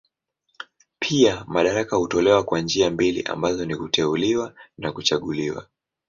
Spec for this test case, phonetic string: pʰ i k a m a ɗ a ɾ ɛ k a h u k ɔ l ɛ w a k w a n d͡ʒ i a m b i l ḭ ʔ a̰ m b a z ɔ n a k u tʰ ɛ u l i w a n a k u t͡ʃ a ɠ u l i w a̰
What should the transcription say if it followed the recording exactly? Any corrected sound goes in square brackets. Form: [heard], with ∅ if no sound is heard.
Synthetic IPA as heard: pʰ i [∅] a m a ɗ a ɾ [a] k a h u [t] ɔ l ɛ w a k w a n d͡ʒ i a m b i l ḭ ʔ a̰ m b a z ɔ n [i] k u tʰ ɛ u l i w a n a k u t͡ʃ a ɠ u l i w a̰